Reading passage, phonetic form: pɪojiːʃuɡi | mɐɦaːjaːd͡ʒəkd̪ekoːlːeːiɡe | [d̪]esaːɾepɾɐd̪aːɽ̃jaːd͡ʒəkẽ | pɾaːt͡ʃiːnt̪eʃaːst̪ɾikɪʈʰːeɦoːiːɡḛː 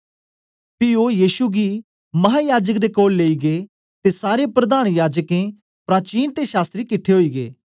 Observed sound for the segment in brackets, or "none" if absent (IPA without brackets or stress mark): t̪